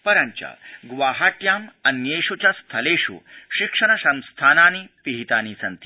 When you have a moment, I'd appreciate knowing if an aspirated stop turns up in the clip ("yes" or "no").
yes